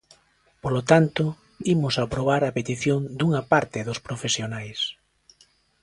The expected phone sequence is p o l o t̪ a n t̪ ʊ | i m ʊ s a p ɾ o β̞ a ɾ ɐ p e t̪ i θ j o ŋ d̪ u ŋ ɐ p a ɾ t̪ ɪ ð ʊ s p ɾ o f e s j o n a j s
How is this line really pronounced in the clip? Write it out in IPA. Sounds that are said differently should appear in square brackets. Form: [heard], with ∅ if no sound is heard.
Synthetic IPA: p o l o t̪ a n t̪ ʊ | i m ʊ s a p ɾ o β̞ a ɾ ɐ p e t̪ i θ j o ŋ d̪ u ŋ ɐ p a ɾ t̪ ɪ ð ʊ s p ɾ o f e s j o n a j s